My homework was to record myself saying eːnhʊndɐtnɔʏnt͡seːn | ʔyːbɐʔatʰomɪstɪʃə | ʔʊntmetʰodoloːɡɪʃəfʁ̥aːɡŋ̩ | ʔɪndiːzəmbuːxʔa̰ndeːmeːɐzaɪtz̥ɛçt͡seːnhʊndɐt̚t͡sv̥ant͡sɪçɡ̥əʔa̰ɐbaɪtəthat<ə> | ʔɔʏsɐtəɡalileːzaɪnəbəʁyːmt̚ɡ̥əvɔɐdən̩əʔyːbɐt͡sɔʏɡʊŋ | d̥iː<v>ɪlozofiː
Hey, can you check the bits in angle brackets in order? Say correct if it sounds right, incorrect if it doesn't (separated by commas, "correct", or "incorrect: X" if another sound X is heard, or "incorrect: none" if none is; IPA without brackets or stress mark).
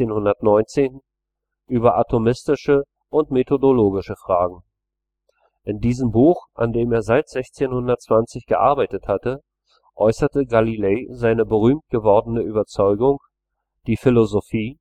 correct, incorrect: f